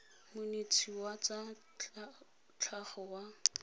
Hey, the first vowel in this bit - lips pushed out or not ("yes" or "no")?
yes